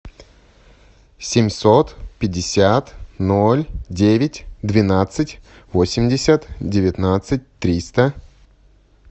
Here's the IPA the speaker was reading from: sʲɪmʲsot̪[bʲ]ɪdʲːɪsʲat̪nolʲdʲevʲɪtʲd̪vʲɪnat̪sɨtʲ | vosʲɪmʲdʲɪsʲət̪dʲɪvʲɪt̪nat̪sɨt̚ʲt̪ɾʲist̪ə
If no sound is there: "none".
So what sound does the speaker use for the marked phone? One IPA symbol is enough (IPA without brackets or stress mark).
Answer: pʲ